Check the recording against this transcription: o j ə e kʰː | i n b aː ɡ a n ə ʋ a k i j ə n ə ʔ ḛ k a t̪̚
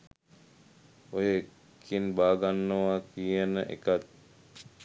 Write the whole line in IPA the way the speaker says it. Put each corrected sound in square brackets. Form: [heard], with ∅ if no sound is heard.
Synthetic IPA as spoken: o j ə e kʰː | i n b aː ɡ a [nː] ə ʋ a k i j ə n ə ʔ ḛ k a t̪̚